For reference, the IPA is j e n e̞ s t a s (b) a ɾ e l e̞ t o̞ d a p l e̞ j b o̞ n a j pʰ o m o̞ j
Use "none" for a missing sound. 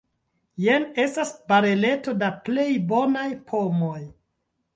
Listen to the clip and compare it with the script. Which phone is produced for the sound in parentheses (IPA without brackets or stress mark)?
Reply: b